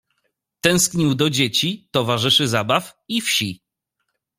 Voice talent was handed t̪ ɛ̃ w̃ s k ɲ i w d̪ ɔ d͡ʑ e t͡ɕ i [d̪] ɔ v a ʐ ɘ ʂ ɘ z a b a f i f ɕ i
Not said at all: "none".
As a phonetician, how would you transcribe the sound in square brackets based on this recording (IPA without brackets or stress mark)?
t̪